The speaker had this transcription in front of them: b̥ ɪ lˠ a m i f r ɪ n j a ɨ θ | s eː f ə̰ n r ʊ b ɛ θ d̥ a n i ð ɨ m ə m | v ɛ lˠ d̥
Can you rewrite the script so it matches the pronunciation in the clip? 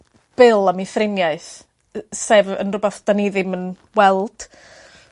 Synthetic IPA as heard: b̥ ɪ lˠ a m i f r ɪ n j a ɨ θ | s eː v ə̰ n r ʊ b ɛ θ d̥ a n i ð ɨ m ə n | w ɛ lˠ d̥